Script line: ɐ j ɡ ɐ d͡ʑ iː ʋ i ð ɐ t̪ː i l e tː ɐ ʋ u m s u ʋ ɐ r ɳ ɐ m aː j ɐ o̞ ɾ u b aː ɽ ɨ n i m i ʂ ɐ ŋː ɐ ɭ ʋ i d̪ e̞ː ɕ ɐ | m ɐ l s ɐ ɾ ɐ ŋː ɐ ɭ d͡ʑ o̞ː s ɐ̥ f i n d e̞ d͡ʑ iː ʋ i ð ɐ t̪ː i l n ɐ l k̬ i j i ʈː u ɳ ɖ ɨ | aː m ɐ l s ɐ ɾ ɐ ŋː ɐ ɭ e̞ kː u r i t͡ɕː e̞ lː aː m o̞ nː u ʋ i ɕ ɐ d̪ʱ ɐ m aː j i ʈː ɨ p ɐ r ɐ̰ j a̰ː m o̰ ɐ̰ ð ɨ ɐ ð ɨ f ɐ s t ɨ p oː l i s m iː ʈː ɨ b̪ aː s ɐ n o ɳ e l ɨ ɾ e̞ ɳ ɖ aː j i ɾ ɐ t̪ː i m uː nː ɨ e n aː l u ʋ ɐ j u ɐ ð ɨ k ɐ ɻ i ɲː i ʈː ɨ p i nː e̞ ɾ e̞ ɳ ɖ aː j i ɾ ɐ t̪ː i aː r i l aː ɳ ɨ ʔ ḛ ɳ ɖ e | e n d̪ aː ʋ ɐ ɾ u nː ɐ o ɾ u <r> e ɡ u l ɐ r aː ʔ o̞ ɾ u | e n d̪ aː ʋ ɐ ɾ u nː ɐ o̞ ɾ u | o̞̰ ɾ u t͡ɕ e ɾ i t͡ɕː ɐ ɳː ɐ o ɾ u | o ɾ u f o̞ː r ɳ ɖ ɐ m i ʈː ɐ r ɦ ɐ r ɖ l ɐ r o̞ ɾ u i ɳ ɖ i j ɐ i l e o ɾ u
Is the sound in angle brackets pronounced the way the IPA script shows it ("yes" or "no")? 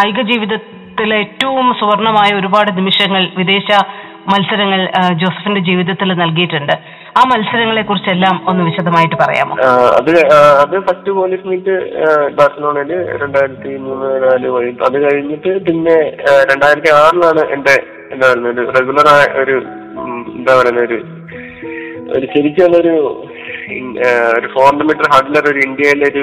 yes